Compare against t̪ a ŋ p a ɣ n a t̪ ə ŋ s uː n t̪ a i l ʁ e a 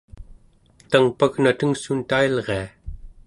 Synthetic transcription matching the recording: t̪ a ŋ p a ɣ n a t̪ ə ŋ s u n t̪ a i l ʁ e a